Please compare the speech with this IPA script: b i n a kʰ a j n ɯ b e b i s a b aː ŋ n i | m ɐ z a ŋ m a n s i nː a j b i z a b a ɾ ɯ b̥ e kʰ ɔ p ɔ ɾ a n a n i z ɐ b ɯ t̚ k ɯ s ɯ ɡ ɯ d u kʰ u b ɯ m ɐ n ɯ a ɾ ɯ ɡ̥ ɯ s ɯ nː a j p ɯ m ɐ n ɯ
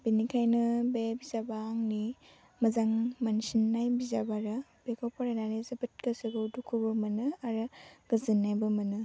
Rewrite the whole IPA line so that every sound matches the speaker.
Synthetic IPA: b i n i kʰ a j n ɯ b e b i z a b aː ŋ n i | m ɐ z a ŋ m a n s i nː a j b i z a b a ɾ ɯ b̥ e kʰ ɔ p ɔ ɾ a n a n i z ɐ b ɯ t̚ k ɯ s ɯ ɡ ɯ d u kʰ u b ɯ m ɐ n ɯ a ɾ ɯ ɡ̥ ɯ z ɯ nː a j b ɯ m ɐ n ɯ